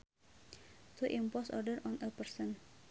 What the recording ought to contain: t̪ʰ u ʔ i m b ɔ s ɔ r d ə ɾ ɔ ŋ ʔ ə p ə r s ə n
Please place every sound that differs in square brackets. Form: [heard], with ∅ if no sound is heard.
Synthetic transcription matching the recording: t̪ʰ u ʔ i m [p] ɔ s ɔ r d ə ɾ ɔ [n] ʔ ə p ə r s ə n